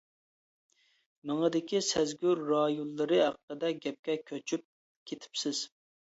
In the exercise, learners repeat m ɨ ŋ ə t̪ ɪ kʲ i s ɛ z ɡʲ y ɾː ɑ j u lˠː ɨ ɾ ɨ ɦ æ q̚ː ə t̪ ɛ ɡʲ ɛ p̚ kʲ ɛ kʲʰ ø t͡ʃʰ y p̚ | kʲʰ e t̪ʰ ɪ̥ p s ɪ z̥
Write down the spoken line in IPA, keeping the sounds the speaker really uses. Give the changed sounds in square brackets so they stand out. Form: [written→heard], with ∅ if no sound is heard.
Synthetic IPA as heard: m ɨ ŋ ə [t̪→d̪] ɪ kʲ i s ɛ z ɡʲ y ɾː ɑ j u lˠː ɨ ɾ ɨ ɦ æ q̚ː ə [t̪→d̪] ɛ ɡʲ ɛ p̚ kʲ ɛ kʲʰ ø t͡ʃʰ y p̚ | kʲʰ e t̪ʰ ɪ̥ p s ɪ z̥